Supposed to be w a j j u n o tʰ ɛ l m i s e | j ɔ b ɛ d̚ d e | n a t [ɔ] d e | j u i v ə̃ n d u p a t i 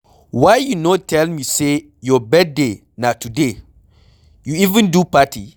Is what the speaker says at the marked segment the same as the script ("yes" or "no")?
no